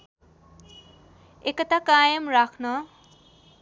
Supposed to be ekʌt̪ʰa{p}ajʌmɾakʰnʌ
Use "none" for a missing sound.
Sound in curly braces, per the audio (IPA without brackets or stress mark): k